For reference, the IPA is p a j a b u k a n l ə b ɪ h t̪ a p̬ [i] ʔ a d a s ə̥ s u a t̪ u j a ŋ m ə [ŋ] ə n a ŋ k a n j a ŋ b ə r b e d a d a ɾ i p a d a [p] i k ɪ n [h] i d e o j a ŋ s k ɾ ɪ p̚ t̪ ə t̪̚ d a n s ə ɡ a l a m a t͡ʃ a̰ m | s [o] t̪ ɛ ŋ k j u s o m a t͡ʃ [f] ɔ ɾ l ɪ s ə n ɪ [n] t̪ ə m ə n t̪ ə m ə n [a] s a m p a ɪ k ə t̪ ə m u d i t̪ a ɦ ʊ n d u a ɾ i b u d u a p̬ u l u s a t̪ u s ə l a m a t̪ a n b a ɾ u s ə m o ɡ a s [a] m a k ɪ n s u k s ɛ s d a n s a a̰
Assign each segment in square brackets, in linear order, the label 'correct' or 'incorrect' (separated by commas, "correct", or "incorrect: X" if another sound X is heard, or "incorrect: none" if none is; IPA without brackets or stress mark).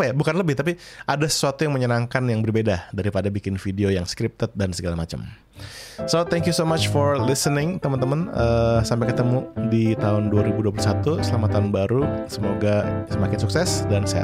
correct, incorrect: ɲ, incorrect: b, incorrect: f, correct, correct, incorrect: ŋ, incorrect: ə, incorrect: ə